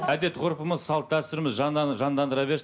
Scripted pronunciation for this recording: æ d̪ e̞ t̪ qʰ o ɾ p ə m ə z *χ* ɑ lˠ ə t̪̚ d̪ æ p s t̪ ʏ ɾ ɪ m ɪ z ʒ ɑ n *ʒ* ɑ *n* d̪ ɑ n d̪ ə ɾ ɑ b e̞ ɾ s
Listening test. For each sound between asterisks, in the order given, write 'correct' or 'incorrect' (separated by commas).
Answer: incorrect, correct, correct